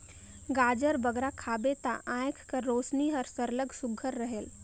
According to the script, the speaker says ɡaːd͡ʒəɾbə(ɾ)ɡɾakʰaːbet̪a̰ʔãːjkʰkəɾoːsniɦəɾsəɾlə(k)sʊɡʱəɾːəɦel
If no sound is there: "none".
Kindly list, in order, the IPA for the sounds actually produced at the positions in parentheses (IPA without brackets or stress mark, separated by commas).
none, ɡ